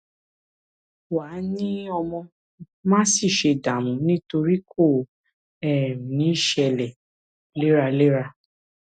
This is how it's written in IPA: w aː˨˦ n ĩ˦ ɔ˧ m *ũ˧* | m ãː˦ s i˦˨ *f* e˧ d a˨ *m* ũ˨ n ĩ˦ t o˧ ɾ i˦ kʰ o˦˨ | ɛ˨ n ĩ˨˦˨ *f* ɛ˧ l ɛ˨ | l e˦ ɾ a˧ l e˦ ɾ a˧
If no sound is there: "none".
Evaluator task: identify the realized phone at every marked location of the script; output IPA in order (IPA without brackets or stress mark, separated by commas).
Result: ɔ̃˧, ʃ, m, ʃ